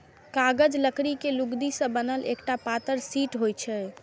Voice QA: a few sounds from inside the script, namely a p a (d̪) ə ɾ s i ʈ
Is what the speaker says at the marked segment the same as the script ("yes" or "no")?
no